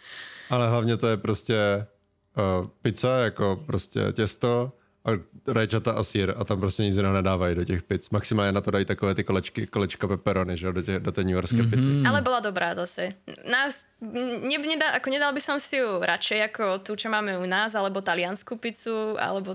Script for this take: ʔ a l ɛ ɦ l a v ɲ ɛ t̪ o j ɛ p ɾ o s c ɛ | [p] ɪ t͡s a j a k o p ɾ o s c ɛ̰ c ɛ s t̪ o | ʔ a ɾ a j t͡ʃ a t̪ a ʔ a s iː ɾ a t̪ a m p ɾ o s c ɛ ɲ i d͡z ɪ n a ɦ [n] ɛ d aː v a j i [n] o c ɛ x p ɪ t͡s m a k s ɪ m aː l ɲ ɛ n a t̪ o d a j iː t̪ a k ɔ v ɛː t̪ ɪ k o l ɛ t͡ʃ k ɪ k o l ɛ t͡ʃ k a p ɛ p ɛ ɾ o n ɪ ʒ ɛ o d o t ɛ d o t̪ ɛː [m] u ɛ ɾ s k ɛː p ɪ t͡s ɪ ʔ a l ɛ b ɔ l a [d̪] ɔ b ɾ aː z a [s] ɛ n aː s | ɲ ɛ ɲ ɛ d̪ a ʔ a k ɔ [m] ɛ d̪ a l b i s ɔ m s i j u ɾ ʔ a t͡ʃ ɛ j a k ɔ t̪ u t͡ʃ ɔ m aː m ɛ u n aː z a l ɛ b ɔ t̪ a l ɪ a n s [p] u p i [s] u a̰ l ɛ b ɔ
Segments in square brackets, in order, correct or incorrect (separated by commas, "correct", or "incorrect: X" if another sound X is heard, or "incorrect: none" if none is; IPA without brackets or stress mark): correct, correct, incorrect: d, incorrect: ɲ, correct, correct, incorrect: ɲ, incorrect: k, incorrect: t͡s